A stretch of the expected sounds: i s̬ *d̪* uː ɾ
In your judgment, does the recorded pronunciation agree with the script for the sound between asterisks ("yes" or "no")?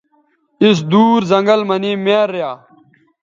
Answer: yes